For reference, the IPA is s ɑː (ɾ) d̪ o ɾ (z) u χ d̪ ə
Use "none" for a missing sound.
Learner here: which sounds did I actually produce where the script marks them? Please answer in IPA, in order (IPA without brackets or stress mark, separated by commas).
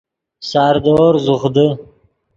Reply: ɾ, z